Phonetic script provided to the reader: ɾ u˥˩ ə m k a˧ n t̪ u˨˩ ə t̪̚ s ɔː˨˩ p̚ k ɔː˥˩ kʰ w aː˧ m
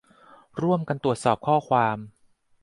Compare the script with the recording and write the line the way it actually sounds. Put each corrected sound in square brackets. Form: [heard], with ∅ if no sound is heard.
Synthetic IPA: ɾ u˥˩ ə m k a˧ n t̪ u˨˩ ə t̪̚ s ɔː˨˩ p̚ [kʰ] ɔː˥˩ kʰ w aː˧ m

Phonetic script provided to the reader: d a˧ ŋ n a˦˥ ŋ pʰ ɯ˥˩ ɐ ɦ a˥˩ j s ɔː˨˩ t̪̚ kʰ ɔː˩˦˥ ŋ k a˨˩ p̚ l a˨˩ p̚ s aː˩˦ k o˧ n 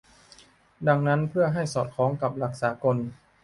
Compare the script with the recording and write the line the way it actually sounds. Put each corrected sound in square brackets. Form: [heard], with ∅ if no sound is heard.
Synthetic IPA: d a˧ ŋ n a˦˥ [n] pʰ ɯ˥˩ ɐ ɦ a˥˩ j s ɔː˨˩ t̪̚ kʰ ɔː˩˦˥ ŋ k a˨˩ p̚ l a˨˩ [k̚] s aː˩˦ k o˧ n

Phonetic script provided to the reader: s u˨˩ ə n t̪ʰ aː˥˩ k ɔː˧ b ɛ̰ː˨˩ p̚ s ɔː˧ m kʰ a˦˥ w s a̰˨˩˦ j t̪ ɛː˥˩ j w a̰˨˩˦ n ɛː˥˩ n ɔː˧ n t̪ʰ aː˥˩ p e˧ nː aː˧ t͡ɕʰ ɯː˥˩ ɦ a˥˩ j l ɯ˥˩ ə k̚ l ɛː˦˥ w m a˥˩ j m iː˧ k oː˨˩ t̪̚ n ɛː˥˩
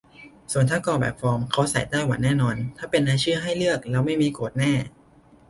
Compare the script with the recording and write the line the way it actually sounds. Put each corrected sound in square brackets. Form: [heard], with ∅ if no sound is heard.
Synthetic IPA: s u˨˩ ə n t̪ʰ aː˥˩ k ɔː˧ b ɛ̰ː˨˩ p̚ [f] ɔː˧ m kʰ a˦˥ w s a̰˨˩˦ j t̪ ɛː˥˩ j w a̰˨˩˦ n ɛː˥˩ n ɔː˧ n t̪ʰ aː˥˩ p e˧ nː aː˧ t͡ɕʰ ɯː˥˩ ɦ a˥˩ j l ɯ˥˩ ə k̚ l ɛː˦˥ w m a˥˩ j m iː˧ k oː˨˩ t̪̚ n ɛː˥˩

